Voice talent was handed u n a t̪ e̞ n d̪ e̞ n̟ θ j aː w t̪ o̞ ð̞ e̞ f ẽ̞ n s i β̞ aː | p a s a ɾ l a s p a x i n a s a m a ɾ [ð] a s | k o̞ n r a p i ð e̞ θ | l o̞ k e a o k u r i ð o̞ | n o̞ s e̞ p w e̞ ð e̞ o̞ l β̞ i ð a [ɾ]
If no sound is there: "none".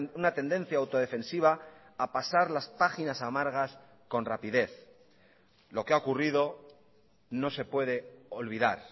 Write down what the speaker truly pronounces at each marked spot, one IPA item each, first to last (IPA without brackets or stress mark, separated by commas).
ɣ, ɾ